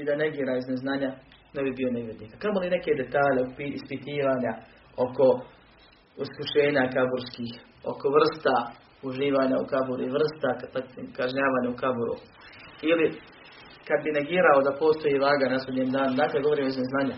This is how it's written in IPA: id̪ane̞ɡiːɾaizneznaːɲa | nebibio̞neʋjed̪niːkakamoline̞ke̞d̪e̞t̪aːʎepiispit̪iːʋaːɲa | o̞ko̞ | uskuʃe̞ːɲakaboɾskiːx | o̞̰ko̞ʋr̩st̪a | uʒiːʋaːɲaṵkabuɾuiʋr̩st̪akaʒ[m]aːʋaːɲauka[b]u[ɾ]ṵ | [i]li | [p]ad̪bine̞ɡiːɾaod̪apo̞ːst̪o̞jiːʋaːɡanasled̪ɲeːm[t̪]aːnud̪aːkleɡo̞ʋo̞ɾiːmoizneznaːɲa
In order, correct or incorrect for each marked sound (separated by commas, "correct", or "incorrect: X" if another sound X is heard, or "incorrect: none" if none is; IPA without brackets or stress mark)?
incorrect: ɲ, correct, correct, correct, incorrect: k, incorrect: d̪